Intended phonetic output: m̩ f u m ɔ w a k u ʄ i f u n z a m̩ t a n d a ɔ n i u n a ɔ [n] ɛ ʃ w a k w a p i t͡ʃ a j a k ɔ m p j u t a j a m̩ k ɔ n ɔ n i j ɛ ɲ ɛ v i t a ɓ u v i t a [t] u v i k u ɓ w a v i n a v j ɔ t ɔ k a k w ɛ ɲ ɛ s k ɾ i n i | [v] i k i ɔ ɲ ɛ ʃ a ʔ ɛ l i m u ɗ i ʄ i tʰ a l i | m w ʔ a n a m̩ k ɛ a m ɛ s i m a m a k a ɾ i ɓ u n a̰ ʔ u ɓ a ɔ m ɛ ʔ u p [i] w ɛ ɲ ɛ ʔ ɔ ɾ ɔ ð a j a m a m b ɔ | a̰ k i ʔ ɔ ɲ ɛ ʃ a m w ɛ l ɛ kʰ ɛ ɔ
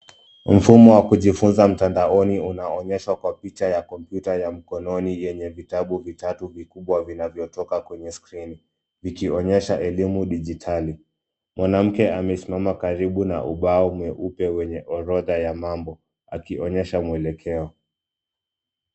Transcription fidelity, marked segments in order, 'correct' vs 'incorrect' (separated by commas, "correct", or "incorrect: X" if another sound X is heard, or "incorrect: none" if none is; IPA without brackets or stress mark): incorrect: ɲ, correct, correct, incorrect: ɛ